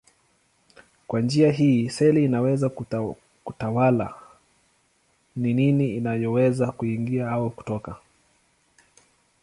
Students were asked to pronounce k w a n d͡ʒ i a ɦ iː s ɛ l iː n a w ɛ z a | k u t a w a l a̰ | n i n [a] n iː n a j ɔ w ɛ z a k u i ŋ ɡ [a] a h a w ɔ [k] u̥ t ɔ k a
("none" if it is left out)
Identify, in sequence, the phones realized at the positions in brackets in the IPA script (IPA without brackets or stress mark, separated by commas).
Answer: i, i, k